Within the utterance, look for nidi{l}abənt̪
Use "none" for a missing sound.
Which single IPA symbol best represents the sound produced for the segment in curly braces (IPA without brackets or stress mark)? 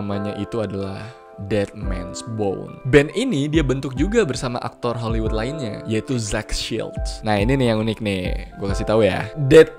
none